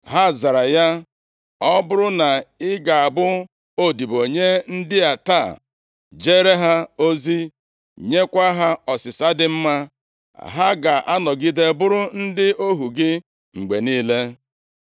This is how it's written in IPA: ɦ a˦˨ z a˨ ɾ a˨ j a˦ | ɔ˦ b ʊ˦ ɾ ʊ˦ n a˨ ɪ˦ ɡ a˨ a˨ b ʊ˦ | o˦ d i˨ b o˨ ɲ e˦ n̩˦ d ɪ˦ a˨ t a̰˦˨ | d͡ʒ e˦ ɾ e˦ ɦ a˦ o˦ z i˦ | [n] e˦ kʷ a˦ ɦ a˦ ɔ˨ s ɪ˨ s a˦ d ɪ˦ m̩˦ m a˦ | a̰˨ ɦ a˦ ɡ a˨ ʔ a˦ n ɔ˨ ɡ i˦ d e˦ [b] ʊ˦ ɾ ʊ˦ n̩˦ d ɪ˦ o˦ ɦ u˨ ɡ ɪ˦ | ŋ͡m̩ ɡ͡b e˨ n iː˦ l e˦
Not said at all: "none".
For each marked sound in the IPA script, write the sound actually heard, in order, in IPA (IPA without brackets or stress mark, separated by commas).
ɲ, b